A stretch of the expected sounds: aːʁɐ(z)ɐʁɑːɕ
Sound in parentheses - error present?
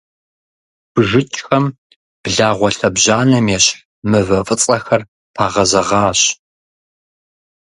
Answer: no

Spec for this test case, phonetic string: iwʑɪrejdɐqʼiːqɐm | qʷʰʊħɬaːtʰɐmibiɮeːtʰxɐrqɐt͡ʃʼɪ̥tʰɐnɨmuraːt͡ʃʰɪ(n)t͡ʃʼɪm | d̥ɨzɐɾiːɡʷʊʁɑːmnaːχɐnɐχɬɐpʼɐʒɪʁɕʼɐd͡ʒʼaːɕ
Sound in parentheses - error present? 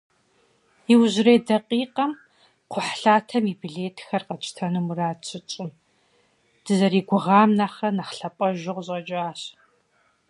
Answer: yes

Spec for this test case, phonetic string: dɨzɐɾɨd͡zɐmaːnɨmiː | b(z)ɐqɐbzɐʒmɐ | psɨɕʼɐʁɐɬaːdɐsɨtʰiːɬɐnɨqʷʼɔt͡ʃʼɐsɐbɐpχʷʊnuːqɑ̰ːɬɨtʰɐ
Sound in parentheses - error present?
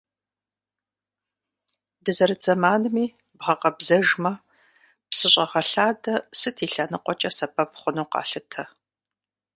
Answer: yes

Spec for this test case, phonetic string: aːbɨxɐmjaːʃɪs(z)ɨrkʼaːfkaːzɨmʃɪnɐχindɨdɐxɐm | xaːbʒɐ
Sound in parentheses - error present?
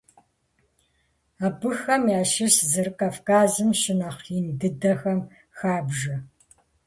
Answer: no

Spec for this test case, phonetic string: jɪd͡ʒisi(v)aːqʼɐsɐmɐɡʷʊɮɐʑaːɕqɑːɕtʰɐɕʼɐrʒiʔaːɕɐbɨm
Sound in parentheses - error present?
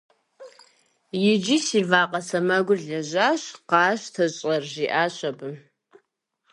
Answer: no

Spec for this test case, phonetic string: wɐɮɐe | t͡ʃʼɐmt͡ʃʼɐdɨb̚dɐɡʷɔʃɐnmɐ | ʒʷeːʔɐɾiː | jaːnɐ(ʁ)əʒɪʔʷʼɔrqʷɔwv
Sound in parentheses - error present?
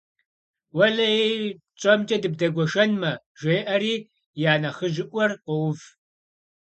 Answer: yes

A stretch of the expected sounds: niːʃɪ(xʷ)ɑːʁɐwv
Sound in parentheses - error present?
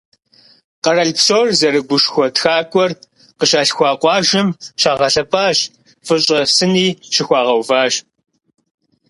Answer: no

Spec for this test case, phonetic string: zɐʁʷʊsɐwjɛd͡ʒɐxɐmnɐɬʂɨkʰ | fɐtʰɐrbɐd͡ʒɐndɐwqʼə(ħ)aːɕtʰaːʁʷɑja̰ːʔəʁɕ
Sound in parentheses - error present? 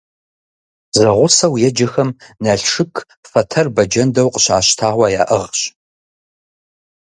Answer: yes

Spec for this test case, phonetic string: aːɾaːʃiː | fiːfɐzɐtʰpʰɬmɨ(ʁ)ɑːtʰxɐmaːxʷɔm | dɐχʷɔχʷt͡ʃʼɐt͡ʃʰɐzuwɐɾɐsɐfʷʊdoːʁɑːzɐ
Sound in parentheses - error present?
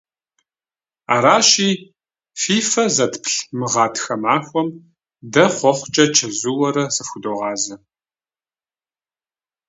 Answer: no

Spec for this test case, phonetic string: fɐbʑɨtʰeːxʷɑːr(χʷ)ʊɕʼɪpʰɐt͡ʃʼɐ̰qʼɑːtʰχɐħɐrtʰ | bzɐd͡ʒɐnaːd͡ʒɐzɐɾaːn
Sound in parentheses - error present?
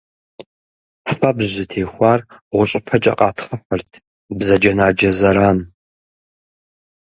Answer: yes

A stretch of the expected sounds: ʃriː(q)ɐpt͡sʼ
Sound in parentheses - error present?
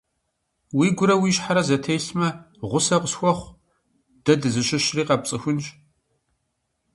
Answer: no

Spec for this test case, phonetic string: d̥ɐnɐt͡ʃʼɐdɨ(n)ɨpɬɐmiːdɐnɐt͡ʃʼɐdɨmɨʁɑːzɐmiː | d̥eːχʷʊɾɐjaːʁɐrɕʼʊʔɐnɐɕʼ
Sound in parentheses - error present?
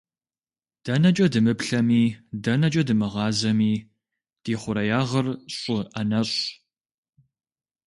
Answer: yes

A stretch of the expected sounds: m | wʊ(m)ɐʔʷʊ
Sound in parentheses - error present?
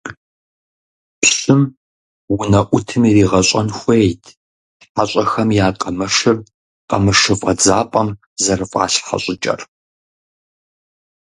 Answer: yes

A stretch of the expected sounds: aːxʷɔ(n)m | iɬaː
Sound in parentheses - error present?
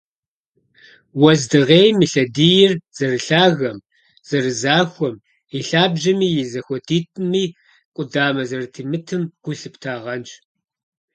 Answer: yes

